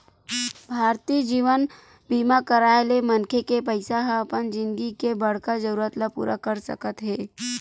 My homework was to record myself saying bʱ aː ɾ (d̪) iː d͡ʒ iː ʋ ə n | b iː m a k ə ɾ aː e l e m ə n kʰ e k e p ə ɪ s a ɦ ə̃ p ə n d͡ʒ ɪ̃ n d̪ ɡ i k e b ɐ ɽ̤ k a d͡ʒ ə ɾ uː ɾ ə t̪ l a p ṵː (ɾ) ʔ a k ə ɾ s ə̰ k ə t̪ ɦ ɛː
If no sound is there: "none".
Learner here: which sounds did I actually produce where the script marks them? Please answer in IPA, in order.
t̪, ɾ

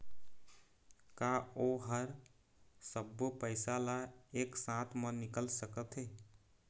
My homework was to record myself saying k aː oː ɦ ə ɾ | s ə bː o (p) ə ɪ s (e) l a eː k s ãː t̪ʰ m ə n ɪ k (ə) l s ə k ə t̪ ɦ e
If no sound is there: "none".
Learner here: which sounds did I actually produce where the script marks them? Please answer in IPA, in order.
p, a, ə

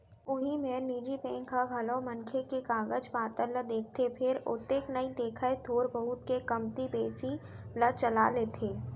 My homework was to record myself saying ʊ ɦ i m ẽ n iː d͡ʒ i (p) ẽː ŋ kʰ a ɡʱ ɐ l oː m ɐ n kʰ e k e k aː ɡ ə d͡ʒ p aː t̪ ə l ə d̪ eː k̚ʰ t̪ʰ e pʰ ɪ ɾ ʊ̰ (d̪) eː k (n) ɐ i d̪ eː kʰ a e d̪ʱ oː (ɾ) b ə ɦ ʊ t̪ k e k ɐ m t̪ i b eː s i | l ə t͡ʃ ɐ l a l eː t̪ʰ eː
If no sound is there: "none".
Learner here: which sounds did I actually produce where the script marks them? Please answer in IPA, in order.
p, t̪, n, ɾ

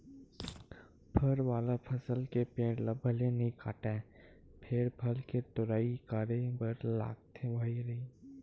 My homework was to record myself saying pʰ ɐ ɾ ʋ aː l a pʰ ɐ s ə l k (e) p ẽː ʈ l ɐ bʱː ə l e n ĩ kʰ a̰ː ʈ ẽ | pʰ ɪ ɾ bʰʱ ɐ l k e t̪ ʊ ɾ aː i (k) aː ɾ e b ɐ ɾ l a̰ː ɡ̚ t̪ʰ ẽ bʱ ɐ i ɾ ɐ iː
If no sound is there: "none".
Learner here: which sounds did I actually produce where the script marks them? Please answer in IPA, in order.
e, k

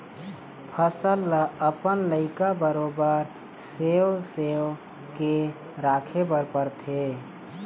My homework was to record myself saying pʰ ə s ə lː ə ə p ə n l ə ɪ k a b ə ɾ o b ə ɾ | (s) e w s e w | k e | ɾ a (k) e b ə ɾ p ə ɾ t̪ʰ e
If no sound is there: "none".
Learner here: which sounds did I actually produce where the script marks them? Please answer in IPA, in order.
s, kʰ

